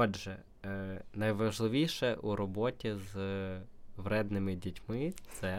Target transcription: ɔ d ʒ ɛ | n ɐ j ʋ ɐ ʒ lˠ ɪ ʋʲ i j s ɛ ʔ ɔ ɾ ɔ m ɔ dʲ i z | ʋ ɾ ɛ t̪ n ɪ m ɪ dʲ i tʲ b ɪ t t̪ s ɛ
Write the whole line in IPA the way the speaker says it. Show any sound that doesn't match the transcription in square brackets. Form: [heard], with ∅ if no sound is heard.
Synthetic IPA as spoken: ɔ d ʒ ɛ | n ɐ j ʋ ɐ ʒ lˠ ɪ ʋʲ i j [ʃ] ɛ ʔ [u] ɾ ɔ [b] ɔ [tʲ] i z | ʋ ɾ ɛ [d̪] n ɪ m ɪ dʲ i tʲ [m] ɪ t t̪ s ɛ